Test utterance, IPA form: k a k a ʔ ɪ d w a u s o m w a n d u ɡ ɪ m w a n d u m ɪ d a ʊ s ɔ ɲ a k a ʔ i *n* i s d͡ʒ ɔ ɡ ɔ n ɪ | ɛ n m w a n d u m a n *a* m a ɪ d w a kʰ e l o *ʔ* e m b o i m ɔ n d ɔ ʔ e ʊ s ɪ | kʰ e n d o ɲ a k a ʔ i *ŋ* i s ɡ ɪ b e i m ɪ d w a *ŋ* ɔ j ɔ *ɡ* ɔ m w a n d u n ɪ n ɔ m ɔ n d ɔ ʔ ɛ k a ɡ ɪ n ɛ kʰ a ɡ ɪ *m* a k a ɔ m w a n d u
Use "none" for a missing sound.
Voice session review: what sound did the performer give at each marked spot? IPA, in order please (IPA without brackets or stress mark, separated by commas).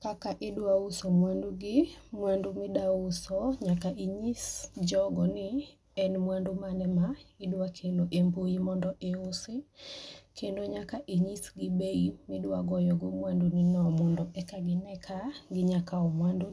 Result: ɲ, ɛ, ʔ, ɲ, ɡ, ɡ, ɲ